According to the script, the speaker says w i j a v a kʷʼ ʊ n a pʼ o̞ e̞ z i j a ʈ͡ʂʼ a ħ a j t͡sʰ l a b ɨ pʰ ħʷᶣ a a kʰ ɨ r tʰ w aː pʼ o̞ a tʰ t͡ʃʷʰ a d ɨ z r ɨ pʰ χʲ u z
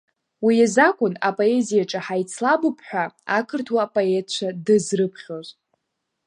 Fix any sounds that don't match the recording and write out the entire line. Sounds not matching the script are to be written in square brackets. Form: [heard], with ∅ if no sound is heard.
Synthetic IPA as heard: w i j a [z] a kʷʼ ʊ n a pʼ o̞ e̞ z i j a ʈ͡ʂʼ a ħ a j t͡sʰ l a b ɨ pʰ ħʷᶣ a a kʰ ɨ r tʰ w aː pʼ o̞ [e] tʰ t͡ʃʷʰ a d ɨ z r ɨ pʰ χʲ [o] z